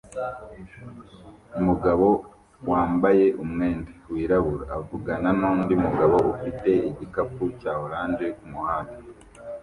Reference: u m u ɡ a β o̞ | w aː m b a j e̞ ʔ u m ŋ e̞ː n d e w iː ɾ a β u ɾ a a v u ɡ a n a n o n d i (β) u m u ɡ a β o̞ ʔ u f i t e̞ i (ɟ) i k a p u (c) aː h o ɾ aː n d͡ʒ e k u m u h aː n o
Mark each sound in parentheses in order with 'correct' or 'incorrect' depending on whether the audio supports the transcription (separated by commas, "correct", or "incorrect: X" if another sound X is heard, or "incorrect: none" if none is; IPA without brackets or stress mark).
incorrect: none, correct, correct